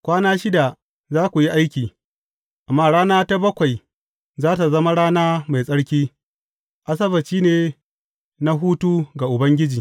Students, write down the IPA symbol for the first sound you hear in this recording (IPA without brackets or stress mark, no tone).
kʷ